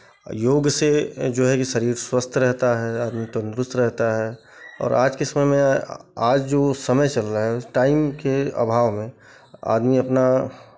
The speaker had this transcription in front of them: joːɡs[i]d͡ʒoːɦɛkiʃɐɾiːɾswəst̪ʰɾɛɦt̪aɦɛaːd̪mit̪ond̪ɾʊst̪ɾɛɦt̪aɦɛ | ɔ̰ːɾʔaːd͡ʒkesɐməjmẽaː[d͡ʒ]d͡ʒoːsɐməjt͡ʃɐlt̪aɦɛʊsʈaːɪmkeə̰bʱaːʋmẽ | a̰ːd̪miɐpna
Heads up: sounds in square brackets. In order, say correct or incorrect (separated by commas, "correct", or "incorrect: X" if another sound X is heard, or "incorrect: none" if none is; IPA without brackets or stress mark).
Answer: incorrect: e, correct